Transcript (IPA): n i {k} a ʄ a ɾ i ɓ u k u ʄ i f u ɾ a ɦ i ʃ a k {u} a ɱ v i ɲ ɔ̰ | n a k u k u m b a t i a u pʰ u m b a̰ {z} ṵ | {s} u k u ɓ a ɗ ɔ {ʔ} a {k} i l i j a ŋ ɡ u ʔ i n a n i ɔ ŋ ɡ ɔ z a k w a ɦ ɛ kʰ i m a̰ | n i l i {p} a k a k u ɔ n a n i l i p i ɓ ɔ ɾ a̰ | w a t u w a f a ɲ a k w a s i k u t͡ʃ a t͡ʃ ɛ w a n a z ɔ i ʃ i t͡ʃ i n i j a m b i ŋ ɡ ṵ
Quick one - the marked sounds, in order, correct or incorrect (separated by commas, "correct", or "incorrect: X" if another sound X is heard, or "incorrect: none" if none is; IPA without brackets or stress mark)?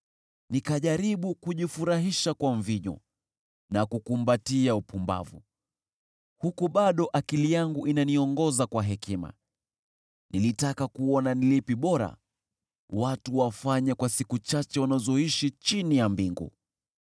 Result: correct, incorrect: w, incorrect: v, incorrect: h, correct, correct, incorrect: t